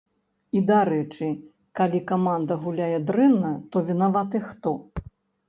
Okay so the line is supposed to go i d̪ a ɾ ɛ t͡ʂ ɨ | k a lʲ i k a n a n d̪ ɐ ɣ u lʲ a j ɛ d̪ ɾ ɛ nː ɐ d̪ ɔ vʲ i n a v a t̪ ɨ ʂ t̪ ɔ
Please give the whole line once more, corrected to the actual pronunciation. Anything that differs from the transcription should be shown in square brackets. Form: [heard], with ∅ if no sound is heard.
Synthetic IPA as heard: i d̪ a ɾ ɛ t͡ʂ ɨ | k a lʲ i k a [m] a n d̪ ɐ ɣ u lʲ a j ɛ d̪ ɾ ɛ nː ɐ [t̪] ɔ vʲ i n a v a t̪ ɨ [x] t̪ ɔ